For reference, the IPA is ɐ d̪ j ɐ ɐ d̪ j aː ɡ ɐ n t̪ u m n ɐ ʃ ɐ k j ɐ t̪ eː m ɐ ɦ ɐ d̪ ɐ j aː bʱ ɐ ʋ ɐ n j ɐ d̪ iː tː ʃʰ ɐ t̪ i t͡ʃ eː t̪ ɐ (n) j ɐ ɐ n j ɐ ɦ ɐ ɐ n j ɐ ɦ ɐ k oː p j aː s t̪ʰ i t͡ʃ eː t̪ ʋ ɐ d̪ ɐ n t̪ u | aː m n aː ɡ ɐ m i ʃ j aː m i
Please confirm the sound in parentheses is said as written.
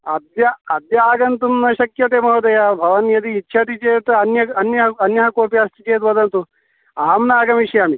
yes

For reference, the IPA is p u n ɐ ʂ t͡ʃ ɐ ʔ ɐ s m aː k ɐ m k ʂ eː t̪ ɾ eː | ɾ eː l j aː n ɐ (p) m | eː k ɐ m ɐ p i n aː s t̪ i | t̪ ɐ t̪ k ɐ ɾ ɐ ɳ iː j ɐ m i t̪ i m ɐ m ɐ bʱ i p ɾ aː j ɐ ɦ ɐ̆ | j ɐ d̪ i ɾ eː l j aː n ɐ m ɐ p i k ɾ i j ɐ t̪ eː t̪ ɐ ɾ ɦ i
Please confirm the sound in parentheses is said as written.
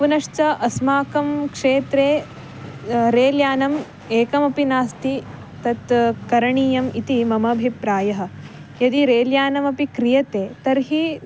no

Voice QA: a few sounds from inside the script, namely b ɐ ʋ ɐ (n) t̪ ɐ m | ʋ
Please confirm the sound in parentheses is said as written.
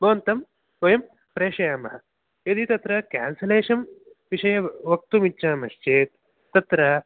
yes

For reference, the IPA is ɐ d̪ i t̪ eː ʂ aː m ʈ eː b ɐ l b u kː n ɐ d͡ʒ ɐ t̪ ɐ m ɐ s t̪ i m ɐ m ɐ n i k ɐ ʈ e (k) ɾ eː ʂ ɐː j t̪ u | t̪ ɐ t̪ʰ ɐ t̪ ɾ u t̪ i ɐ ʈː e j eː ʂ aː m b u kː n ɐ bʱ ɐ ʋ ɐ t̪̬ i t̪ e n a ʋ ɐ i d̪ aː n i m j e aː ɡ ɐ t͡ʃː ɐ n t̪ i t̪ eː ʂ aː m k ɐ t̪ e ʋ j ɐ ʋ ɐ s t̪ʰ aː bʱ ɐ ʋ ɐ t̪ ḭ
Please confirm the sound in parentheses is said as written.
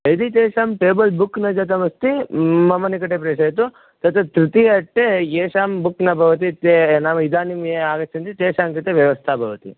no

